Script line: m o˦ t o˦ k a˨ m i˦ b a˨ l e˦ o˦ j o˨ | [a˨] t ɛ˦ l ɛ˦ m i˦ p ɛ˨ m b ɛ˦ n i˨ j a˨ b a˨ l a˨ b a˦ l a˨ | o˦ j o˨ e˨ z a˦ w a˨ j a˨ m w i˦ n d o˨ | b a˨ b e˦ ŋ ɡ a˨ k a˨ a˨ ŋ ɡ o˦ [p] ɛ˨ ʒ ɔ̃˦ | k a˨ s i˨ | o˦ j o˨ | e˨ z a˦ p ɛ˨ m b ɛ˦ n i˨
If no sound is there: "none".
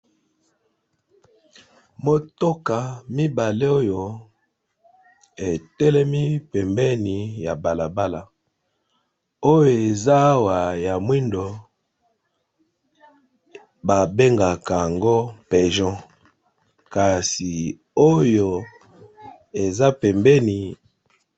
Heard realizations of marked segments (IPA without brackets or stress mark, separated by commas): e˨, p